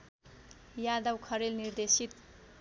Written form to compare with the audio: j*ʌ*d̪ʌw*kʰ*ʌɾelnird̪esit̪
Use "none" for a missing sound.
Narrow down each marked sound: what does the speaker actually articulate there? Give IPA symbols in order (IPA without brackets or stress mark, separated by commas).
a, kʰ